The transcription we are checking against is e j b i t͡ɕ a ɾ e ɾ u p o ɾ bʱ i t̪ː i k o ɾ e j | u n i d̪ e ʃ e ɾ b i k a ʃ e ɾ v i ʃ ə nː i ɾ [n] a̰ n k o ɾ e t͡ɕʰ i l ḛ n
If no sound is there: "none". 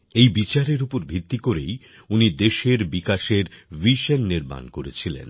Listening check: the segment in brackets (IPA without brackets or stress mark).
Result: m